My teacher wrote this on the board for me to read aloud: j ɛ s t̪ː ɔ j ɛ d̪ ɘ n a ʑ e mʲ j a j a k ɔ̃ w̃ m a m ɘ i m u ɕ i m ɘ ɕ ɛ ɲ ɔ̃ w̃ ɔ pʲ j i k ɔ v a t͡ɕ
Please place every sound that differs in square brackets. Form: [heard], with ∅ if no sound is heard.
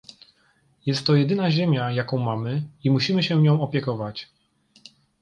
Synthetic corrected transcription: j ɛ s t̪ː ɔ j ɛ d̪ ɘ n a ʑ e mʲ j a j a k ɔ̃ w̃ m a m ɘ i m u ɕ i m ɘ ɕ ɛ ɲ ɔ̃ w̃ ɔ pʲ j [ɛ] k ɔ v a t͡ɕ

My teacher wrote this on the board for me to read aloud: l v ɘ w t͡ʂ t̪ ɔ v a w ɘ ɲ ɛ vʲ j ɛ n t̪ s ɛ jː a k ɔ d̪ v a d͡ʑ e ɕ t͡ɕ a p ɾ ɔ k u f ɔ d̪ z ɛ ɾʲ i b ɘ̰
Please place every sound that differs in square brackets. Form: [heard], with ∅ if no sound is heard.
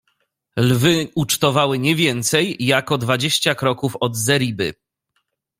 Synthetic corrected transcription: l v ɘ [u] t͡ʂ t̪ ɔ v a w ɘ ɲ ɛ vʲ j ɛ n t̪ s ɛ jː a k ɔ d̪ v a d͡ʑ e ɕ t͡ɕ a [k] ɾ ɔ k u f ɔ d̪ z ɛ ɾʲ i b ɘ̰

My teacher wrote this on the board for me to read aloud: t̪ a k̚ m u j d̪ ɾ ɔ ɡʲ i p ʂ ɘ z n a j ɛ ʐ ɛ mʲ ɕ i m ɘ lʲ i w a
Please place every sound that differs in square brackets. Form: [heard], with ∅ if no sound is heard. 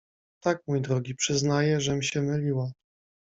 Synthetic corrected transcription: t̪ a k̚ m u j d̪ ɾ ɔ ɡʲ i p ʂ ɘ z n a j ɛ ʐ ɛ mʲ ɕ [ɛ] m ɘ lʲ i w a

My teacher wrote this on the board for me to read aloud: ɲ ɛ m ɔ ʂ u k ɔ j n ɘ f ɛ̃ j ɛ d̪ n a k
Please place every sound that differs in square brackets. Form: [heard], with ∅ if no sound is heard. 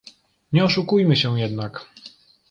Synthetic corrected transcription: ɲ ɛ [∅] ɔ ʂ u k [u] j [m] ɘ [ɕ] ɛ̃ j ɛ d̪ n a k

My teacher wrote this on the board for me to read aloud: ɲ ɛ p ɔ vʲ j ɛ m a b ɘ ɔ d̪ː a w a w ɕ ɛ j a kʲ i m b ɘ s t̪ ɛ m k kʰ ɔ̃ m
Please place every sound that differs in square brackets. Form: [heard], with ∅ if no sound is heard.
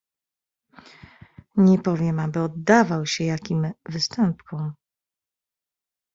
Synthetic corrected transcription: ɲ ɛ p ɔ vʲ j ɛ m a b ɘ ɔ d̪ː a [v] a w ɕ ɛ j a kʲ i m [v] ɘ s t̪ ɛ m [p] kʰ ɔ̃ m

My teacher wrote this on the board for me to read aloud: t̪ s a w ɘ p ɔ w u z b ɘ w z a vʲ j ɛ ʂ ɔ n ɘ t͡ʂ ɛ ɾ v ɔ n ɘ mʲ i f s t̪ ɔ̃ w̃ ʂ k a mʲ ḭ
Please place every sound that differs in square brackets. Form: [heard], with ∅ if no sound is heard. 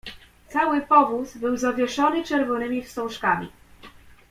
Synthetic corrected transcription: t̪ s a w ɘ p ɔ [v] u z b ɘ w z a vʲ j ɛ ʂ ɔ n ɘ t͡ʂ ɛ ɾ v ɔ n ɘ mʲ i f s t̪ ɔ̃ w̃ ʂ k a mʲ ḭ

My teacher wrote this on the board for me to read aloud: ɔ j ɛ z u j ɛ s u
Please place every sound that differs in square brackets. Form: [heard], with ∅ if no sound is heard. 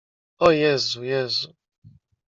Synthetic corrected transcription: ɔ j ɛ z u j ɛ [z] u

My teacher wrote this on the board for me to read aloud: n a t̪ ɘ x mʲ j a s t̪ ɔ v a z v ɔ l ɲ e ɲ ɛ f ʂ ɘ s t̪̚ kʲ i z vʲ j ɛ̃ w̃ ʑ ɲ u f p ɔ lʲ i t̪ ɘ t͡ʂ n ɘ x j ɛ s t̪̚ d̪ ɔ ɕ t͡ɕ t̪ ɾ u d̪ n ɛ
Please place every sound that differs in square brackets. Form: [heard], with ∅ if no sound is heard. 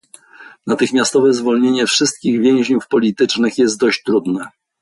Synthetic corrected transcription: n a t̪ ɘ x mʲ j a s t̪ ɔ v [ɛ] z v ɔ l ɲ e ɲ ɛ f ʂ ɘ s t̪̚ kʲ i [ɣ] vʲ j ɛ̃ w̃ ʑ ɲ u f p ɔ lʲ i t̪ ɘ t͡ʂ n ɘ x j ɛ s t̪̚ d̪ ɔ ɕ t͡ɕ t̪ ɾ u d̪ n ɛ

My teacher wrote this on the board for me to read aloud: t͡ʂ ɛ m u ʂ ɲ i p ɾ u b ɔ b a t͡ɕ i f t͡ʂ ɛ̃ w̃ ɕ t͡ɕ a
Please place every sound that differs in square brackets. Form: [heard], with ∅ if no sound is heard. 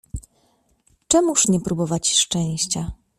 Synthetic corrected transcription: t͡ʂ ɛ m u ʂ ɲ [ɛ] p ɾ u b ɔ [v] a t͡ɕ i [ʂ] t͡ʂ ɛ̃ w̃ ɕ t͡ɕ a

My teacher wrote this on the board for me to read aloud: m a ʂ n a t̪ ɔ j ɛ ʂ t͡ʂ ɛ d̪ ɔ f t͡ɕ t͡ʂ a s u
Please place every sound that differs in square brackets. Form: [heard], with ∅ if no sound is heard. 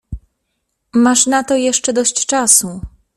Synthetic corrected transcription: m a ʂ n a t̪ ɔ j ɛ ʂ t͡ʂ ɛ d̪ ɔ [ɕ] t͡ɕ t͡ʂ a s u

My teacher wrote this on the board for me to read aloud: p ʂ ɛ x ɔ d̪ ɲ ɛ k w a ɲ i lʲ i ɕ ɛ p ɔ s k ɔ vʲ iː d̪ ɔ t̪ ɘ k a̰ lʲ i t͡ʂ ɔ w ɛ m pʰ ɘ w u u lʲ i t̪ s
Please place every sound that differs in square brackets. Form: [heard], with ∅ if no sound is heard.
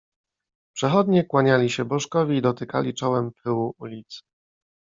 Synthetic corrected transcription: p ʂ ɛ x ɔ d̪ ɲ ɛ k w a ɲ [a] lʲ i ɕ ɛ [b] ɔ [ʂ] k ɔ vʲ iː d̪ ɔ t̪ ɘ k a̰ lʲ i t͡ʂ ɔ w ɛ m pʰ ɘ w u u lʲ i t̪ s

